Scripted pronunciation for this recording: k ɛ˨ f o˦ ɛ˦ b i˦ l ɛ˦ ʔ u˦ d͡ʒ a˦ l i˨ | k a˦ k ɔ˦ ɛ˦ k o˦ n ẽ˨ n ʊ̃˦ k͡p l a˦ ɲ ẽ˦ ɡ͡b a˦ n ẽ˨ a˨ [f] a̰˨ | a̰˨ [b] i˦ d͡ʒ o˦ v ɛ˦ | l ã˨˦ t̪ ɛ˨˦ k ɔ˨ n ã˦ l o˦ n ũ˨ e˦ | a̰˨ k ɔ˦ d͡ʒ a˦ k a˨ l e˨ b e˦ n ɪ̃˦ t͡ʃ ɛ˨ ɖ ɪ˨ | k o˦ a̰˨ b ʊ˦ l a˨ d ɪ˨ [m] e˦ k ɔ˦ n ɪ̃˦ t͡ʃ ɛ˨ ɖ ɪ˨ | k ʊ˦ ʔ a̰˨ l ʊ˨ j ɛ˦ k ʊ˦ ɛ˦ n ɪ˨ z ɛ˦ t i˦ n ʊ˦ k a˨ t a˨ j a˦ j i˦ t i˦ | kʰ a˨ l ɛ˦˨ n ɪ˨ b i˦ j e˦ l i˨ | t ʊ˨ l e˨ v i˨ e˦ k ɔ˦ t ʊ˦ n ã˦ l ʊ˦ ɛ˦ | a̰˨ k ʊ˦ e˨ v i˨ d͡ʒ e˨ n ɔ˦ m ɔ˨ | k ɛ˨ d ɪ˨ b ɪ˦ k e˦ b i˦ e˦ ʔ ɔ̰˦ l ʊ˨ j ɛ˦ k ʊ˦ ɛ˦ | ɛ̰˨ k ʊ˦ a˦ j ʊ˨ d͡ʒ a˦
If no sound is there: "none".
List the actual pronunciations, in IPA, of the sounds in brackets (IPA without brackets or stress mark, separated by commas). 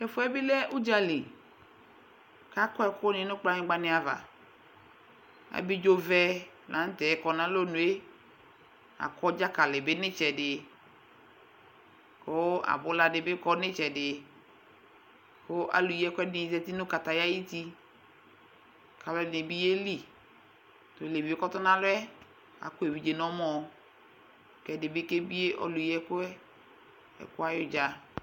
v, b, b